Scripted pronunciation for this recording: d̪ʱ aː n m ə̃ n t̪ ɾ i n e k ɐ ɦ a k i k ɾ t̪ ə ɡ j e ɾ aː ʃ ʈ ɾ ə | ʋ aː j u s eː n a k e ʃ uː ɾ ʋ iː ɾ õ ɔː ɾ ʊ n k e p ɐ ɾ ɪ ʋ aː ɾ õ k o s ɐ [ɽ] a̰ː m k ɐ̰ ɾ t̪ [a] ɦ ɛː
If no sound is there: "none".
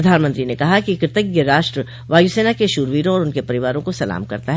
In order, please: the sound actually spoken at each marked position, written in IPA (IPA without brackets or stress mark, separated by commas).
l, a